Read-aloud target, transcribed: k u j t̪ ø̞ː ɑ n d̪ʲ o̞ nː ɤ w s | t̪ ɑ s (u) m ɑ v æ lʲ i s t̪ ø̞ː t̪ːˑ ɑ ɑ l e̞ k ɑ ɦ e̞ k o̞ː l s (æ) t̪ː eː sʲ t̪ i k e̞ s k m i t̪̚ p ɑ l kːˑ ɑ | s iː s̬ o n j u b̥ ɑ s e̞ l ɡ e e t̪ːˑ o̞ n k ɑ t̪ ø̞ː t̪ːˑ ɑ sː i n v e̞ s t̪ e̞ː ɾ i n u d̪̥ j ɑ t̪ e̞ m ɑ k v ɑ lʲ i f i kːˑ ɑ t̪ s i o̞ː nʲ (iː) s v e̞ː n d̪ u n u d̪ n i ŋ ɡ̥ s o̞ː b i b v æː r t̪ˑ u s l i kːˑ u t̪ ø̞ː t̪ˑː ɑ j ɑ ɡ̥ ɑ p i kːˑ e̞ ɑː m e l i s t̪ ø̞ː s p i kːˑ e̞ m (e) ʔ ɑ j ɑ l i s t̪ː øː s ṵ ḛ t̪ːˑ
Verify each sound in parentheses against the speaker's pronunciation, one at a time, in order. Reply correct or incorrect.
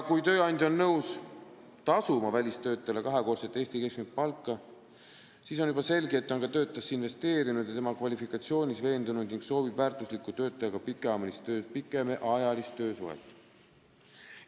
correct, incorrect, incorrect, correct

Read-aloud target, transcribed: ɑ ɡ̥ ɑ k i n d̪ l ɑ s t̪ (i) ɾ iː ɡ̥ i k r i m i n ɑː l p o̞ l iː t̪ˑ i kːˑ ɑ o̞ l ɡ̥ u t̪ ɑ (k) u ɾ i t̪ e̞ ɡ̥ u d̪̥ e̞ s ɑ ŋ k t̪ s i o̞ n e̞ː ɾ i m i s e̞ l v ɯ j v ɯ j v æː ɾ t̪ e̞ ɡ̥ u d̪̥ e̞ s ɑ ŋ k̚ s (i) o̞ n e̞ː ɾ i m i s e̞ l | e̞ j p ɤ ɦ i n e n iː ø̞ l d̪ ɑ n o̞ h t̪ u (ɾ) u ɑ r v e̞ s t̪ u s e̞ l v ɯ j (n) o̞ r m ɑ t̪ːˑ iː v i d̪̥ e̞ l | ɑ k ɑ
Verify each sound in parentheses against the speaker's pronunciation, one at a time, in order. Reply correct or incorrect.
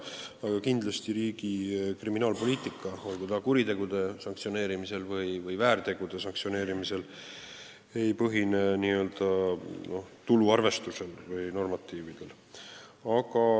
correct, correct, correct, incorrect, correct

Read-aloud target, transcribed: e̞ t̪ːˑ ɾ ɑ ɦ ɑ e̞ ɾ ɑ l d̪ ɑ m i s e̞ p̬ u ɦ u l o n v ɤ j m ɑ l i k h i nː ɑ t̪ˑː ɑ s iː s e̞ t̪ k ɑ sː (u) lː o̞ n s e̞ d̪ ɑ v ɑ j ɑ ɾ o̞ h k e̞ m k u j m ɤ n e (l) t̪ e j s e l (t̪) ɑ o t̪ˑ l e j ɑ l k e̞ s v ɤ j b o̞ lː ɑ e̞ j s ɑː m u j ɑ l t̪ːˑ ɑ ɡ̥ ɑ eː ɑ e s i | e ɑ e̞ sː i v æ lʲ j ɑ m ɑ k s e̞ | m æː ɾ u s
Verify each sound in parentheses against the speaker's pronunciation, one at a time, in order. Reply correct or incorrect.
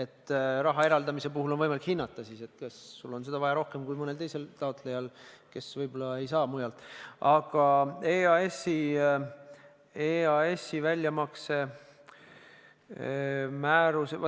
correct, correct, correct

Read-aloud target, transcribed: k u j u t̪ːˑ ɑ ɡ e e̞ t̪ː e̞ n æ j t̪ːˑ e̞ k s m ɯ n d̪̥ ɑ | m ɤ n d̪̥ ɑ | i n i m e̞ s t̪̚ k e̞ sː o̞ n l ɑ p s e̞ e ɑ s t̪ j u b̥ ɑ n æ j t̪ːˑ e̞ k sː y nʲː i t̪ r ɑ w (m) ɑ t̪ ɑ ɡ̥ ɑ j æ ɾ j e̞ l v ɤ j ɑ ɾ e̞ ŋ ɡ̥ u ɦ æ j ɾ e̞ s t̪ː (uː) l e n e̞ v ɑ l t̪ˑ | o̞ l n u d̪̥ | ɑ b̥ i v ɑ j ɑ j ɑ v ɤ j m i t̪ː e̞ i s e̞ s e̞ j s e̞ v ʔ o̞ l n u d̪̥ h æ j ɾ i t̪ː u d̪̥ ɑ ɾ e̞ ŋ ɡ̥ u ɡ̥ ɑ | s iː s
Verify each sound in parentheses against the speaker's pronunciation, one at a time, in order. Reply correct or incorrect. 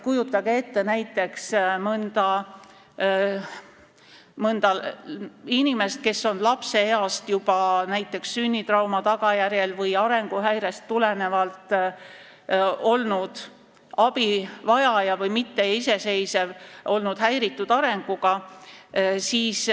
correct, incorrect

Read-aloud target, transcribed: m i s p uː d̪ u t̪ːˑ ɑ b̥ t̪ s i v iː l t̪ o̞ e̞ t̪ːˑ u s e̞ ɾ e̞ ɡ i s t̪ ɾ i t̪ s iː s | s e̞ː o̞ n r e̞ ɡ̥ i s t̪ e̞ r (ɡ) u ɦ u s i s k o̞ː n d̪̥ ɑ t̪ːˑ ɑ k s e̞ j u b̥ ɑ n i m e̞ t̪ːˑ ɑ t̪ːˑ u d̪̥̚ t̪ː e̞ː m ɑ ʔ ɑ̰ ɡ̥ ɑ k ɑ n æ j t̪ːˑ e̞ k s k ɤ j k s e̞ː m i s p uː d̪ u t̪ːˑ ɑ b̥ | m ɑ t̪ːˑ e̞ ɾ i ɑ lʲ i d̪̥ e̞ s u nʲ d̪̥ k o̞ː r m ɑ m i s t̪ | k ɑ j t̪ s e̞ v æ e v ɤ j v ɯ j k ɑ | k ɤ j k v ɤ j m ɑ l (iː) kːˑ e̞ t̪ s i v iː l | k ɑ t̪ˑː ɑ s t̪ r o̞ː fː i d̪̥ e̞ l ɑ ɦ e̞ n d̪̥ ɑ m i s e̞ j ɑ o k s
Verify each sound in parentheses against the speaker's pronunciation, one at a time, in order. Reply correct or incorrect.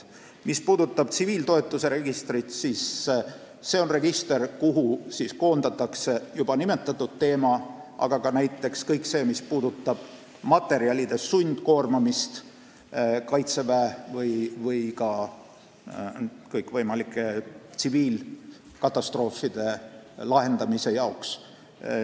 incorrect, incorrect

